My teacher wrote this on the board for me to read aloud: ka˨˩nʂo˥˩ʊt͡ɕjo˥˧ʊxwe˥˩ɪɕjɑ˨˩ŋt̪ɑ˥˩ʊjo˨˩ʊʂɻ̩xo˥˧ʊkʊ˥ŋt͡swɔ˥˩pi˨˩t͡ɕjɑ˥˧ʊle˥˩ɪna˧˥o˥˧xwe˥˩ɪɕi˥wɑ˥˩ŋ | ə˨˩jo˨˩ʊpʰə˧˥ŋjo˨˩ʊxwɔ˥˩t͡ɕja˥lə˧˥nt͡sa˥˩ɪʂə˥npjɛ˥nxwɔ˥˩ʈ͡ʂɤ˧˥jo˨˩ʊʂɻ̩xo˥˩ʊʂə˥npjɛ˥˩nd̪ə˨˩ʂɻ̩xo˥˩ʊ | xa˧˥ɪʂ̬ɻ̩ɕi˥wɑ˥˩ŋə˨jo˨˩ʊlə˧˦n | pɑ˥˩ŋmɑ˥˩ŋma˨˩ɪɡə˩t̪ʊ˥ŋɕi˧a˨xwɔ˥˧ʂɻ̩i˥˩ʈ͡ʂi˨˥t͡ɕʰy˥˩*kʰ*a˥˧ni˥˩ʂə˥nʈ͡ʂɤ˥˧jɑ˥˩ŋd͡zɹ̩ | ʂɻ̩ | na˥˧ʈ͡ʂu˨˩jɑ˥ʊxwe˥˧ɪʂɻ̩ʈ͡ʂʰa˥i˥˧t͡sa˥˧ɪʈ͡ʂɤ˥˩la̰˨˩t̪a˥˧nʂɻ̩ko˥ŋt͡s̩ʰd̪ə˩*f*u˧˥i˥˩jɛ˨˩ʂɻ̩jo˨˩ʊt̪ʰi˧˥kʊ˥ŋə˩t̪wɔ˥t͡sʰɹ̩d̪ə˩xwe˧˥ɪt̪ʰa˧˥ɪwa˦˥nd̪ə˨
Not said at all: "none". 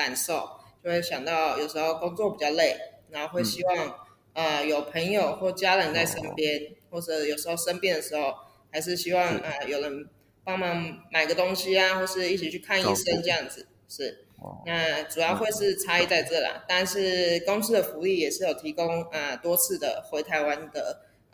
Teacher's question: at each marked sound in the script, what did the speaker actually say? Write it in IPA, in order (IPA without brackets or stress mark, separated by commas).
kʰ, f